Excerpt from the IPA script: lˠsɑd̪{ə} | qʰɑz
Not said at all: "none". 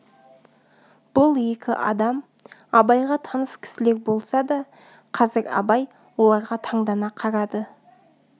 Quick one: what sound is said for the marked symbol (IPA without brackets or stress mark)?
ɑ